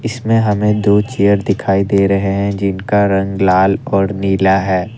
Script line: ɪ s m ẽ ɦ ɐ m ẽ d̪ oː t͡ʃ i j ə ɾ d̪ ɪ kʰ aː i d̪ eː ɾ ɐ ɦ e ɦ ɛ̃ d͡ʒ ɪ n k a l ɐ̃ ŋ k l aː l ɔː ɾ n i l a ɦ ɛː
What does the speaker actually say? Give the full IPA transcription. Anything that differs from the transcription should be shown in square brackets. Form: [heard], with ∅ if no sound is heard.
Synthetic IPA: ɪ s m ẽ ɦ ɐ m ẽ d̪ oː t͡ʃ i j ə ɾ d̪ ɪ kʰ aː i d̪ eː ɾ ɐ ɦ e ɦ ɛ̃ d͡ʒ ɪ n k a [ɾ] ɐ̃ ŋ [ɡ] l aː l ɔː ɾ n [iː] l a ɦ ɛː